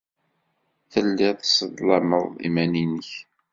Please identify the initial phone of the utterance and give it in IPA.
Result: θ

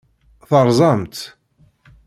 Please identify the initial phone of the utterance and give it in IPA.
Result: θ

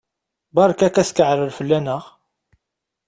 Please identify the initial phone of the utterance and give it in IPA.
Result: b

